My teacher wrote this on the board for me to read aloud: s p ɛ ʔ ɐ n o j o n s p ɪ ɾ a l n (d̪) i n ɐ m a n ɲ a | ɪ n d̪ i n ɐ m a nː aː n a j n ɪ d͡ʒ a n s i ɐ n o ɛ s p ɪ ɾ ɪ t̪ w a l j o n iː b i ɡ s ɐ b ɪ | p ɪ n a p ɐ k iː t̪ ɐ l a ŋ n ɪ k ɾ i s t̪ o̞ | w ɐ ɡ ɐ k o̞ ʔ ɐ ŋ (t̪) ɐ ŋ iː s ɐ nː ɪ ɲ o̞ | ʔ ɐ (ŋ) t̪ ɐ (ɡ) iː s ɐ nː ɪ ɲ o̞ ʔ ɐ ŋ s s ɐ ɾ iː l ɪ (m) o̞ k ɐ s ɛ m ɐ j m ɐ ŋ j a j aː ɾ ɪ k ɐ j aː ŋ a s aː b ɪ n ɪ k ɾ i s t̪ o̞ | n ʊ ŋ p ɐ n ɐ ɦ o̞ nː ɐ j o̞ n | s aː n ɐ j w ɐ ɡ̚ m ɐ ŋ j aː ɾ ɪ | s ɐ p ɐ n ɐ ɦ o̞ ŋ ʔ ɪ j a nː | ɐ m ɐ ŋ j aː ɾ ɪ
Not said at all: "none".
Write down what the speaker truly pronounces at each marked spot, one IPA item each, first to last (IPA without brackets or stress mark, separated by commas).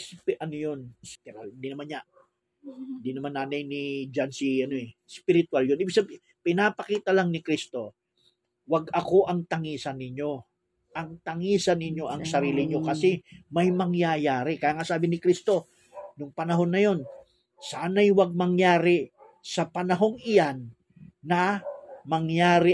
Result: d̪, t̪, ŋ, ŋ, ɲ